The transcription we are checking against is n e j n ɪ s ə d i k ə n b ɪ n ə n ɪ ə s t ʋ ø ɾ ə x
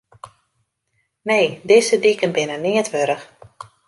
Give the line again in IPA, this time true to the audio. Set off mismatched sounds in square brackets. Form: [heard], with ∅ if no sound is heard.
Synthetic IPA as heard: n e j [d] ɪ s ə d i k ə n b ɪ n ə n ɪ ə [∅] t ʋ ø ɾ ə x